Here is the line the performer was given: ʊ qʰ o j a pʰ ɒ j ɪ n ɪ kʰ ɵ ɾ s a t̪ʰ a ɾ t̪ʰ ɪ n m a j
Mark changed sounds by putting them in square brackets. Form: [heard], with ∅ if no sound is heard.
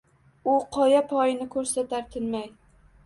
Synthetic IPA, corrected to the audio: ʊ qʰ [ɒ] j a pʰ ɒ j ɪ n ɪ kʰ ɵ ɾ s a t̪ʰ a ɾ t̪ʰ ɪ n m a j